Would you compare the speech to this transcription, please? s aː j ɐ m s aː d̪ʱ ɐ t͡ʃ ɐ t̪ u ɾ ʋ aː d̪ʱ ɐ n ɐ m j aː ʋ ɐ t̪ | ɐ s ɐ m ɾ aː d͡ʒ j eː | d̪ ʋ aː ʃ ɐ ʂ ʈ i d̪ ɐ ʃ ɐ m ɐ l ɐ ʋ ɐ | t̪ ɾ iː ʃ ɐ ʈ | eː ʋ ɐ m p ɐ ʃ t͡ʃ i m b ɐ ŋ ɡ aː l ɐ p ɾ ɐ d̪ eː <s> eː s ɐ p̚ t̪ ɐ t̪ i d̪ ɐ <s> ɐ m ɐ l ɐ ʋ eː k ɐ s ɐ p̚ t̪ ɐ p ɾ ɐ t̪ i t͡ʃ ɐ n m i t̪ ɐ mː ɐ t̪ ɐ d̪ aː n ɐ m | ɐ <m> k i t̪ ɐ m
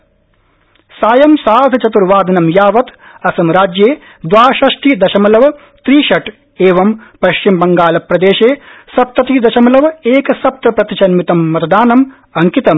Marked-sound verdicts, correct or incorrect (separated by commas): incorrect, incorrect, incorrect